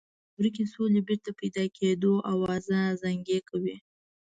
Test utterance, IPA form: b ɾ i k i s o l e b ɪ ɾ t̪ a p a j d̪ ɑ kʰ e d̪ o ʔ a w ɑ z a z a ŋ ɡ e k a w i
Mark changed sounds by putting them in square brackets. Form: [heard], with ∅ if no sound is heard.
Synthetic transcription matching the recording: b ɾ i k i s o l e b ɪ ɾ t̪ a p a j d̪ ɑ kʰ e d̪ o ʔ a w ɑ z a z a ŋ ɡ e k a w i